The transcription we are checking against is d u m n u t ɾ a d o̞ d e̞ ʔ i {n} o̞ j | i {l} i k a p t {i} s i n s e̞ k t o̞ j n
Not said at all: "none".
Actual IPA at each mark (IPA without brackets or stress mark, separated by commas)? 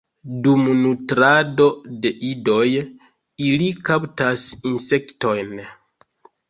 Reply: d, l, a